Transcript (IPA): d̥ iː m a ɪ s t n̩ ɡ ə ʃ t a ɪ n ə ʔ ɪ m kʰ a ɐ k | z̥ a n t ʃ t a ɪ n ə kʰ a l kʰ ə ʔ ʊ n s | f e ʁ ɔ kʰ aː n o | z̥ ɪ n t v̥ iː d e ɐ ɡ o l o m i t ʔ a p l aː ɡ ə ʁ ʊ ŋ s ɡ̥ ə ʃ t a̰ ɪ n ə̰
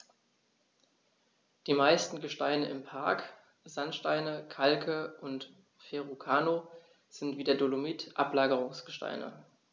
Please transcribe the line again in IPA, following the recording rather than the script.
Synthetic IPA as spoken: d̥ iː m a ɪ s t n̩ ɡ ə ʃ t a ɪ n ə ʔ ɪ m pʰ a ɐ k | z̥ a n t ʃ t a ɪ n ə kʰ a l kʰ ə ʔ ʊ n t | f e ʁ u kʰ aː n o | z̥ ɪ n t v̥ iː d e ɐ d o l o m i t ʔ a p l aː ɡ ə ʁ ʊ ŋ s ɡ̥ ə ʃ t a̰ ɪ n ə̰